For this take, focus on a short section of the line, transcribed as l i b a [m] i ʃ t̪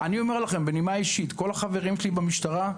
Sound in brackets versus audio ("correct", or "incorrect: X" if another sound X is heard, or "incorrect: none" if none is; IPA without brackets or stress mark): correct